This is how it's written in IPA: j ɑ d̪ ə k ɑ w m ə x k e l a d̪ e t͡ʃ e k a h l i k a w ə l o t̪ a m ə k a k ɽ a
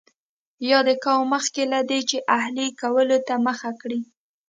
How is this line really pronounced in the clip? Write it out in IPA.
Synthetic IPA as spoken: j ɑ d̪ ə k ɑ w m ə x k e l a d̪ e t͡ʃ e ʔ a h l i k a w ə l o t̪ a m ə x a k ɽ i